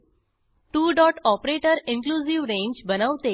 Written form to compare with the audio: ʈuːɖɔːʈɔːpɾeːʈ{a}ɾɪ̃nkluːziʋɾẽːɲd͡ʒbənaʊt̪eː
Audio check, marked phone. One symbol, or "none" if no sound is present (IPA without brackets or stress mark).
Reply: ə